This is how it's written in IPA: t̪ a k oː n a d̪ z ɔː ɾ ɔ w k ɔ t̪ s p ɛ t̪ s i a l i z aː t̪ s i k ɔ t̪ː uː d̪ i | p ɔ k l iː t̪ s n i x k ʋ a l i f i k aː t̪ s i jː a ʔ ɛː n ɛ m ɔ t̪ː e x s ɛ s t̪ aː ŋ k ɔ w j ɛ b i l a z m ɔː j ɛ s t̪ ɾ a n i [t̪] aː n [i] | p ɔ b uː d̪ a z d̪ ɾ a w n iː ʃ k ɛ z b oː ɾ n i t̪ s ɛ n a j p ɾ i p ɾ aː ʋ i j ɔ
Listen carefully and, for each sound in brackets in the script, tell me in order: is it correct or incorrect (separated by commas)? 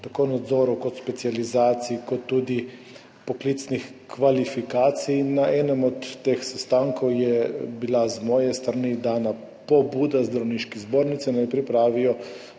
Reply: incorrect, incorrect